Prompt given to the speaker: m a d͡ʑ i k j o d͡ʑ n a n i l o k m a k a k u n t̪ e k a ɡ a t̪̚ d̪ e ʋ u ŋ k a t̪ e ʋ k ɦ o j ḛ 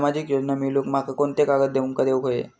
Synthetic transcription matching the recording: m a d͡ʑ i k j o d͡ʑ n a m i l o k m a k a k o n t̪ e k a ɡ ə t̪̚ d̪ e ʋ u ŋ k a d̪ e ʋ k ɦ o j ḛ